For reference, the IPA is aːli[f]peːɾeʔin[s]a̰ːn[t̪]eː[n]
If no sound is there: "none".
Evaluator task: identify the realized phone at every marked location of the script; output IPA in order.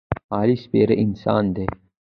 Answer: s, s, d̪, none

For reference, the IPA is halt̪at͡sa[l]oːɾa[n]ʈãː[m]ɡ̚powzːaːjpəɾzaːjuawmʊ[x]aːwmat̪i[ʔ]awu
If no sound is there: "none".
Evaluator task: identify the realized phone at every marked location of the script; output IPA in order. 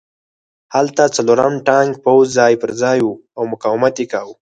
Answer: l, m, ŋ, k, k

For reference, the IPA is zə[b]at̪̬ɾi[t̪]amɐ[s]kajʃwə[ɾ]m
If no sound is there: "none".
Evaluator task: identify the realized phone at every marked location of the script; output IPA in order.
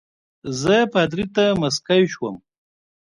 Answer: p, t̪, s, none

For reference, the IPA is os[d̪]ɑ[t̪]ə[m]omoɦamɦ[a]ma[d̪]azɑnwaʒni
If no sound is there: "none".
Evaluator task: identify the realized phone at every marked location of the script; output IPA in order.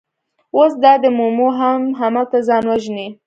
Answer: d̪, d̪, m, a, t̪

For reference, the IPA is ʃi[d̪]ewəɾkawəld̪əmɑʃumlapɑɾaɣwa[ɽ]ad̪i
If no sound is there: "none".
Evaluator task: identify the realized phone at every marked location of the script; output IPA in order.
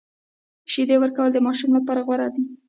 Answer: d̪, ɾ

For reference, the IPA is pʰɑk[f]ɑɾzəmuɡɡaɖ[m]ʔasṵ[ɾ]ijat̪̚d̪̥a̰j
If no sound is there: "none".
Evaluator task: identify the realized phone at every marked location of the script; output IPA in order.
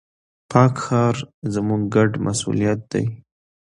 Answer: x, m, l

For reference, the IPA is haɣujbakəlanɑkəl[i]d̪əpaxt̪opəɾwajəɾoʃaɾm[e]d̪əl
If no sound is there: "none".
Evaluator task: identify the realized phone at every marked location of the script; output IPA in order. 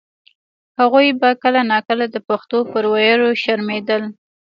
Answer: a, e

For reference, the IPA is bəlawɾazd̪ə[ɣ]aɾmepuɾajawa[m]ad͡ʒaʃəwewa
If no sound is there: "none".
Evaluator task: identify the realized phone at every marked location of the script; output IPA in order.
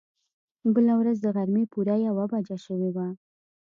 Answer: ɣ, b

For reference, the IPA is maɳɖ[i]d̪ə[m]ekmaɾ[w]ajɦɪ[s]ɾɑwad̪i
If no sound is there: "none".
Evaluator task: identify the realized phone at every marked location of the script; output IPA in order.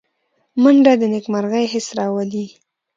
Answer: a, n, ɣ, s

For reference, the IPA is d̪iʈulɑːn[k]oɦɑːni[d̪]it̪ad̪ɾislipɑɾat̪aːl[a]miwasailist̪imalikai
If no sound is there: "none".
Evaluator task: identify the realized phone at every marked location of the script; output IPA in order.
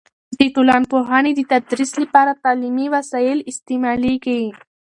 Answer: p, d̪, i

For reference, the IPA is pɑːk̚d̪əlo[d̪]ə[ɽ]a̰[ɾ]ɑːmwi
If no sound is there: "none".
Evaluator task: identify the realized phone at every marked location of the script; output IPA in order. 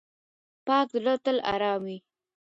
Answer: t̪, l, ɾ

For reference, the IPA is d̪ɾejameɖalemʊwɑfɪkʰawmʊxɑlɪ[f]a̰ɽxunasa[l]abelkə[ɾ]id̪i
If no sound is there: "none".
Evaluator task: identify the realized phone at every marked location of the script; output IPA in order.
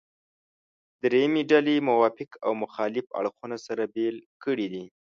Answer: f, ɾ, ɽ

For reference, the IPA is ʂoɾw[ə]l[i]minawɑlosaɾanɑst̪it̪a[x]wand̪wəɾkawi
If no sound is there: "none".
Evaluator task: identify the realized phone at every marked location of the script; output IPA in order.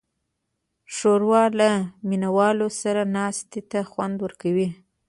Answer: ɑ, a, x

